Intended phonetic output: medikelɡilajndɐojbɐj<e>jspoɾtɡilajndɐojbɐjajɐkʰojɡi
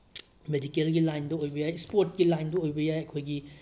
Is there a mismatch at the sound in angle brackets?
yes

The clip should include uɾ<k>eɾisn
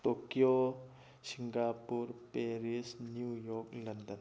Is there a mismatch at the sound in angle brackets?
yes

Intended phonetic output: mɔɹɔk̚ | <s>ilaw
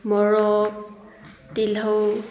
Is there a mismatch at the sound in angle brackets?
yes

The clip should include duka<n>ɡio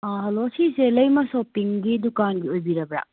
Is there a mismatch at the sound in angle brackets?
no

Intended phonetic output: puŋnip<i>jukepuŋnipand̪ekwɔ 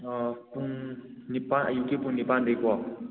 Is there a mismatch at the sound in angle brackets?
yes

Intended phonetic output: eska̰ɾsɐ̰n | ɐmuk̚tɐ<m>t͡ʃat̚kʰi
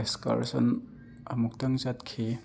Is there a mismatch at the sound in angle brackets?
yes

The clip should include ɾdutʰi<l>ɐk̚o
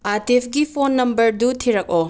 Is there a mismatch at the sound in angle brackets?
yes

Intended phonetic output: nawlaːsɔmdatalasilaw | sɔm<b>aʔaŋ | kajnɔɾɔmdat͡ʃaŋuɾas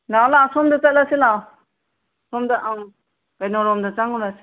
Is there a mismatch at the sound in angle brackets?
yes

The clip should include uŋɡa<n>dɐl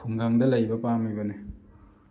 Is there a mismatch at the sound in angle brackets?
yes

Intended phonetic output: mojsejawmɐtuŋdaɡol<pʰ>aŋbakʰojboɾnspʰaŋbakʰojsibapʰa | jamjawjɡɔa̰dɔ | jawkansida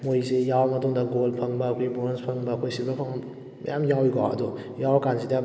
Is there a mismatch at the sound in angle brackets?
no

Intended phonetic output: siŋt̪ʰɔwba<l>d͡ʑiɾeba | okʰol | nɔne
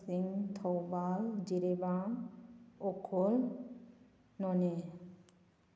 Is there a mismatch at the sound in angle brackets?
no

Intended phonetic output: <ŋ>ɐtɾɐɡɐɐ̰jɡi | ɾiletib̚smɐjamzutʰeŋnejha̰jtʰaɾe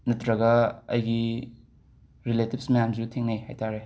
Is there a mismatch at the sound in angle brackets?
yes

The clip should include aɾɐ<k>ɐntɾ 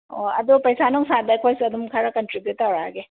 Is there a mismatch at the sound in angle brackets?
no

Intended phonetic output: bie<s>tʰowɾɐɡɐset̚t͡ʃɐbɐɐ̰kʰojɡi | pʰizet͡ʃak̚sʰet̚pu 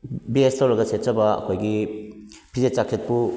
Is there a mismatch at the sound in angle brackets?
no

